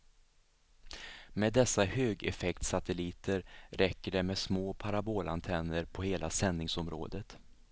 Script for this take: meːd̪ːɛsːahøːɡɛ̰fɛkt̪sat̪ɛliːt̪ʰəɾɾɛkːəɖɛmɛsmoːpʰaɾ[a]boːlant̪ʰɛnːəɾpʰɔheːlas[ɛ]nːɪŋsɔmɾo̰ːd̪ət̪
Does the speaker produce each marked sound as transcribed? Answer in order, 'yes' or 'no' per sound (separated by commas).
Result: yes, yes